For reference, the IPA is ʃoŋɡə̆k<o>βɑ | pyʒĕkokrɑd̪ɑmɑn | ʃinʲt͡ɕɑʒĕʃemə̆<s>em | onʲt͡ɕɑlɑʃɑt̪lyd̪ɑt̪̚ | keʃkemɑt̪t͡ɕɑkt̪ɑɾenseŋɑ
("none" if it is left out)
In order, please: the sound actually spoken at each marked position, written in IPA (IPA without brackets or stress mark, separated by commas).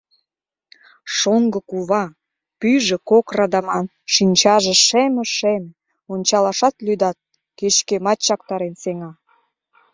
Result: u, ʃ